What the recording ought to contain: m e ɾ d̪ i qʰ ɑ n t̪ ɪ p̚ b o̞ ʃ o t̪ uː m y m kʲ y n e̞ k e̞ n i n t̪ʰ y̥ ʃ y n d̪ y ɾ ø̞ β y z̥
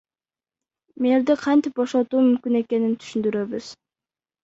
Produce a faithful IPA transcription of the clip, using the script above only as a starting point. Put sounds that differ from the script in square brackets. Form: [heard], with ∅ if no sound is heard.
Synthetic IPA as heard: m e ɾ d̪ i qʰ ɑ n t̪ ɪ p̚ b o̞ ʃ o t̪ uː m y m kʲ y n e̞ k e̞ n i n t̪ʰ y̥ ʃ y n d̪ y ɾ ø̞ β y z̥